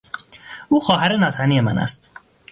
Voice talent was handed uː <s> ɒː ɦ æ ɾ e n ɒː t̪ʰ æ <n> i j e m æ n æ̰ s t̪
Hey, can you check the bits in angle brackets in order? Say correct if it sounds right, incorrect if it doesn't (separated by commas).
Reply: incorrect, correct